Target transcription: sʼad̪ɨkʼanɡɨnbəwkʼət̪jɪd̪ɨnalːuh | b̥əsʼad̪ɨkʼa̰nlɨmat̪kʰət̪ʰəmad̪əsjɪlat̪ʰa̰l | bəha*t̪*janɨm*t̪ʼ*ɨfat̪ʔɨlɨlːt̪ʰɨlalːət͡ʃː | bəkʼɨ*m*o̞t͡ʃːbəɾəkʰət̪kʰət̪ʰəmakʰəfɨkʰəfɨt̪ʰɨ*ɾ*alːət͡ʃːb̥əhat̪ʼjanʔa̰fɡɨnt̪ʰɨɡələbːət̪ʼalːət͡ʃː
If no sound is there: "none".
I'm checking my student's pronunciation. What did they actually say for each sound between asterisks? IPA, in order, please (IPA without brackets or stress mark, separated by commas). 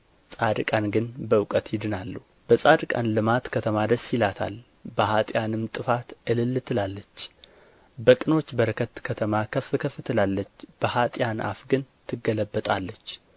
t̪ʼ, t̪ʼ, n, l